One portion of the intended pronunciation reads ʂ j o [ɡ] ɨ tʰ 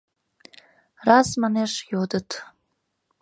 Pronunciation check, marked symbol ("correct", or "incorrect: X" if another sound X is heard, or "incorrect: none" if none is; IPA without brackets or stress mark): incorrect: d